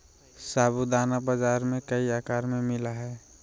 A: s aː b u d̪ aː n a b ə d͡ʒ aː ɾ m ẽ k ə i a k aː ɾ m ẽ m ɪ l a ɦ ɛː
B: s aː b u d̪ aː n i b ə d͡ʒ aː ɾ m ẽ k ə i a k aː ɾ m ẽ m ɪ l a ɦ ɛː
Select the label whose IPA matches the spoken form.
A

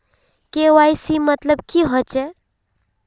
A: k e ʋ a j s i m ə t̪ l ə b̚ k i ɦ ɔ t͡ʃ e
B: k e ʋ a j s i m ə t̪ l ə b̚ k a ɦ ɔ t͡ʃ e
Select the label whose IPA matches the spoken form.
A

